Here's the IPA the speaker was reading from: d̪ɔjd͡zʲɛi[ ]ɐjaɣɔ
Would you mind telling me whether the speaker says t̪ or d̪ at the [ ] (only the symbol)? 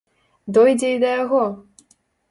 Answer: d̪